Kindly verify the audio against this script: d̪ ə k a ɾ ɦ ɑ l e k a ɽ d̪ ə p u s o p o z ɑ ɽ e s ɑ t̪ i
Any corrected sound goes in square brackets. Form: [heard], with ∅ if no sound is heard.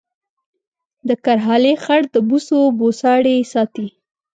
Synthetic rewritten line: d̪ ə k a ɾ ɦ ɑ l e [x] a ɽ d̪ ə [b] u s o [b] o [s] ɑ ɽ e s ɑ t̪ i